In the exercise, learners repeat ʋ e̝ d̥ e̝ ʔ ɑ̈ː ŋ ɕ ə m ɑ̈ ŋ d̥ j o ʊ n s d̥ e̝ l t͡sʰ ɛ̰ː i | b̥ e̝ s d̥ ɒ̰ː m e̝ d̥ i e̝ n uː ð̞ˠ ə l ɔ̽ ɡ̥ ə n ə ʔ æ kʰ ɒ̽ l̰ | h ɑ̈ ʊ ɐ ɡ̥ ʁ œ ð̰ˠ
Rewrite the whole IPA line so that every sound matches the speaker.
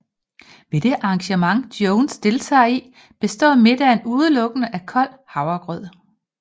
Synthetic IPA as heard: ʋ e̝ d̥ e̝ ʔ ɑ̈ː ŋ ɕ ə m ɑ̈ ŋ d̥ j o ʊ n s d̥ e̝ l t͡sʰ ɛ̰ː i | b̥ e̝ s d̥ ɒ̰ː m e̝ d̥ æ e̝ n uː ð̞ˠ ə l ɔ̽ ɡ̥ ə n ə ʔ æ kʰ ɒ̽ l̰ | h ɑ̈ ʊ ɐ ɡ̥ ʁ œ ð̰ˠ